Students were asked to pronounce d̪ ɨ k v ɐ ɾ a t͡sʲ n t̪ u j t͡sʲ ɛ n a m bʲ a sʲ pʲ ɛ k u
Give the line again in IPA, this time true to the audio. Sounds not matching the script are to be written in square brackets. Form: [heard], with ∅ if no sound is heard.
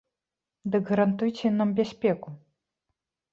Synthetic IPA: d̪ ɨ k [ɣ] ɐ ɾ a [∅] n t̪ u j t͡sʲ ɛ n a m bʲ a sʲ pʲ ɛ k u